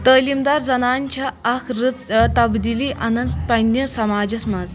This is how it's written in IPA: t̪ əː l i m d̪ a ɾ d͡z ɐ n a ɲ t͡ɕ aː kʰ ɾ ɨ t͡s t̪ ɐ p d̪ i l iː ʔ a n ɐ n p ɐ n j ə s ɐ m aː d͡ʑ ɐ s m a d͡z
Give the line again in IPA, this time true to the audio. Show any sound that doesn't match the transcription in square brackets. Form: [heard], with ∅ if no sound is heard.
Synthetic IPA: t̪ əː l i m d̪ a ɾ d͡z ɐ n a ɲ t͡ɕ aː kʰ ɾ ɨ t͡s t̪ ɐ [b] d̪ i l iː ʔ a n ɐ n p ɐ n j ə s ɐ m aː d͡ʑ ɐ s m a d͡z

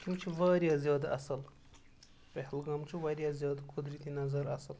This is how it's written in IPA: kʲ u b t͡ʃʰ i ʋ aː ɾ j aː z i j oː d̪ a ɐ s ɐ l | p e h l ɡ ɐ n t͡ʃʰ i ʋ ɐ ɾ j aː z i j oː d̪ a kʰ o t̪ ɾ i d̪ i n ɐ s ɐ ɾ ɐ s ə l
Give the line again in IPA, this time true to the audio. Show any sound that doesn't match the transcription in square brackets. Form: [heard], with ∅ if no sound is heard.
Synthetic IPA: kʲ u [m] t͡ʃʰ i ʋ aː ɾ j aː z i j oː d̪ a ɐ s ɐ l | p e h l ɡ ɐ [m] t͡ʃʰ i ʋ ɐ ɾ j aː z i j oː d̪ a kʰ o [d̪] ɾ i [t̪] i n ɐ [z] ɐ ɾ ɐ s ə l

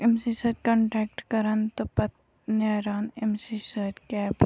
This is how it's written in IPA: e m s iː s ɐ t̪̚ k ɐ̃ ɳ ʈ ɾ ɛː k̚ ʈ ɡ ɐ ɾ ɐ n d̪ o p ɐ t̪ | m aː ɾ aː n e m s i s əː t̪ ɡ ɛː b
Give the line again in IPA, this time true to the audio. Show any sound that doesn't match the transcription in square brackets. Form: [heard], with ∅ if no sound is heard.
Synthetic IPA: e m s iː s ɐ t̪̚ k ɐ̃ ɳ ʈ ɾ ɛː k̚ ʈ [k] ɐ ɾ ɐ n [t̪] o p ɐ t̪ | [n] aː ɾ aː n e m s i s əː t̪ [k] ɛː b

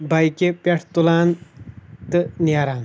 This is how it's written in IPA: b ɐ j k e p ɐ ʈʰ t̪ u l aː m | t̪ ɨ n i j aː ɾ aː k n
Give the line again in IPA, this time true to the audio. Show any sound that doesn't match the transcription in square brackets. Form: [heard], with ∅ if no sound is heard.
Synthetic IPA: b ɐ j k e p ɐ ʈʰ t̪ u l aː [n] | t̪ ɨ n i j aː ɾ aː [∅] n

